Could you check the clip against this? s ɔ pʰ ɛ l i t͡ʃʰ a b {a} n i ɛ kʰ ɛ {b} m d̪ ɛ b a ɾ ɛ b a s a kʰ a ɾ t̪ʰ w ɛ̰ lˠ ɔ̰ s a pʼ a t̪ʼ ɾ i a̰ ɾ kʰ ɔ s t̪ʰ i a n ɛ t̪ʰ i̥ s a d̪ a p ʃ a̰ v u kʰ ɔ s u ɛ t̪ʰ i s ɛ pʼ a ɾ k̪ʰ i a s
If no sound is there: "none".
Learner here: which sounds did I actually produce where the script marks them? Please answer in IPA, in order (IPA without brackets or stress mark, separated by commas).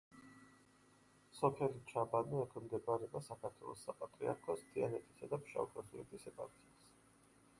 a, none